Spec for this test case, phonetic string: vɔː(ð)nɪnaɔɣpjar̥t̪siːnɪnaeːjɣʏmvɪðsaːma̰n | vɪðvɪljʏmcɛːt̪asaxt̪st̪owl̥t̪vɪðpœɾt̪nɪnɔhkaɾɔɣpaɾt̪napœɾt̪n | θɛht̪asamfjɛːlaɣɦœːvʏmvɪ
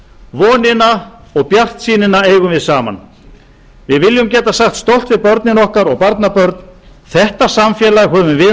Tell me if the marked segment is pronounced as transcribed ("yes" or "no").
no